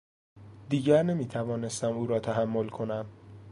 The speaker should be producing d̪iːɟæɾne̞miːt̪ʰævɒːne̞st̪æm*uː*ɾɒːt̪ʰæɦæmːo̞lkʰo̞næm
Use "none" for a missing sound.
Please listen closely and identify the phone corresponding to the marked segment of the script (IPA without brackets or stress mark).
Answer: uː